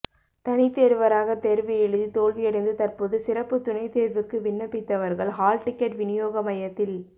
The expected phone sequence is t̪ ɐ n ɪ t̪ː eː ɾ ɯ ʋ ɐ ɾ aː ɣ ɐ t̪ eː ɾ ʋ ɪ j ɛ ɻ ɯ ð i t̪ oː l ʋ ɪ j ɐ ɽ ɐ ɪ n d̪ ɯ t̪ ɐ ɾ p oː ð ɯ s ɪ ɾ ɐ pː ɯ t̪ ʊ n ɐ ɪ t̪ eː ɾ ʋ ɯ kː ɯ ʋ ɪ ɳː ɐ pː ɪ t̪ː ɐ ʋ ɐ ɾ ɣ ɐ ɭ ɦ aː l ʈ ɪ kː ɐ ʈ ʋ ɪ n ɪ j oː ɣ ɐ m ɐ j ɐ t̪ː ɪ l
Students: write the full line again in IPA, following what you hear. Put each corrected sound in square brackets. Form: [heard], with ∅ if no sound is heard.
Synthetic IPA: t̪ ɐ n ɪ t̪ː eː ɾ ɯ ʋ ɐ ɾ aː ɣ ɐ t̪ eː ɾ ʋ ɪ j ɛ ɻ ɯ ð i t̪ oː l ʋ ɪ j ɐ ɽ ɐ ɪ n d̪ ɯ t̪ ɐ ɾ p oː ð ɯ s ɪ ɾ ɐ pː ɯ t̪ ʊ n ɐ ɪ t̪ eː ɾ ʋ ɯ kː ɯ ʋ ɪ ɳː ɐ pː ɪ t̪ː ɐ ʋ ɐ ɾ ɣ ɐ ɭ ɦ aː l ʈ ɪ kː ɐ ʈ ʋ ɪ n ɪ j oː ɣ ɐ m ɐ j ɐ t̪ː ɪ l